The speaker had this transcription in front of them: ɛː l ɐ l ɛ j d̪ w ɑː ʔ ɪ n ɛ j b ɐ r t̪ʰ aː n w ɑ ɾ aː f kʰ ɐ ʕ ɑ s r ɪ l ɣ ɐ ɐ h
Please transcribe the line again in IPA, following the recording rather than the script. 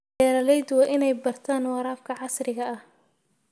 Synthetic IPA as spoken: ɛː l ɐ l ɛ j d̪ w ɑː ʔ ɪ n ɛ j b ɐ r t̪ʰ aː n w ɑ ɾ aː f kʰ ɐ ʕ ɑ s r ɪ ɣ ɐ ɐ h